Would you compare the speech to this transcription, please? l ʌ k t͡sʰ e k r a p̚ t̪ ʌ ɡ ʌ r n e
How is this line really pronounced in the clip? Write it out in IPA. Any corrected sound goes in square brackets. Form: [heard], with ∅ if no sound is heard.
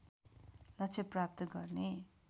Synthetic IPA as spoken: l ʌ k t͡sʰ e [p] r a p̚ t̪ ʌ ɡ ʌ r n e